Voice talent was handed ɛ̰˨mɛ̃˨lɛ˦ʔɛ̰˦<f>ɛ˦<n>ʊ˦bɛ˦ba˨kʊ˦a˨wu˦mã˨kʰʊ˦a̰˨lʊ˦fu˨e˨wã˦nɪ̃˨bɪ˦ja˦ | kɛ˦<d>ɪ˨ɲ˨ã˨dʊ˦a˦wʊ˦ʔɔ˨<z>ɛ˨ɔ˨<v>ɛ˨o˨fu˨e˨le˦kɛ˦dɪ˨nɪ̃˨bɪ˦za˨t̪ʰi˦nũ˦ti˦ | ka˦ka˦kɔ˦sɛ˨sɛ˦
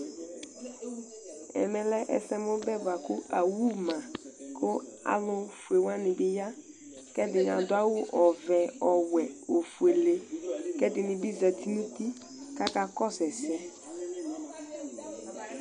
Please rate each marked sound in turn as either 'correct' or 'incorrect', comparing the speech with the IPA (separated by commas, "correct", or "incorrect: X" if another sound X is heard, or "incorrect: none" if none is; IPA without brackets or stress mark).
incorrect: s, incorrect: m, correct, incorrect: v, incorrect: w